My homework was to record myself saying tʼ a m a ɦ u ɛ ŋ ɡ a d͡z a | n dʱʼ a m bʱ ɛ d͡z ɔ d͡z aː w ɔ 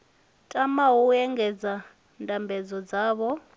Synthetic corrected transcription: tʼ a m a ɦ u ɛ ŋ ɡ ɛ d͡z a | n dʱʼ a m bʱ ɛ d͡z ɔ d͡z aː β ɔ